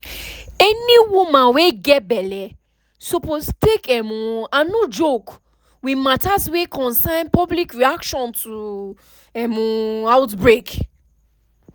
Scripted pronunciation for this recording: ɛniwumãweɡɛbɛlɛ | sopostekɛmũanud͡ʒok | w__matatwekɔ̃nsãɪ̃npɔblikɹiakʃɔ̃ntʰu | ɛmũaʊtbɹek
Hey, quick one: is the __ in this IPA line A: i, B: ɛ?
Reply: A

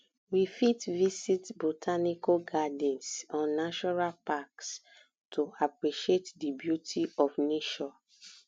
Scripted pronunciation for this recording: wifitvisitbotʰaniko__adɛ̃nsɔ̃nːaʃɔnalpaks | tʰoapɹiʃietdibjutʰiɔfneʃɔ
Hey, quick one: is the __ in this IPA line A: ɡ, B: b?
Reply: A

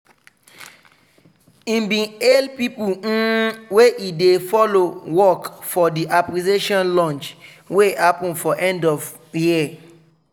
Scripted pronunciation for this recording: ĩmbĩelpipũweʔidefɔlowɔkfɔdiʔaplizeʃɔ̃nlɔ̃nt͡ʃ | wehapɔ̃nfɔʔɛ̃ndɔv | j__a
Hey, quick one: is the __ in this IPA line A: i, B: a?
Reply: A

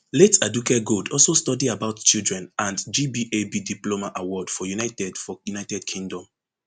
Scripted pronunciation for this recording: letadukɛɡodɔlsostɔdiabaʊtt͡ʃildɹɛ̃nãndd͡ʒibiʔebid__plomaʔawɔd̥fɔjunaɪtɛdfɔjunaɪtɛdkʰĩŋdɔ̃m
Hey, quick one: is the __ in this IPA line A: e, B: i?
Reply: B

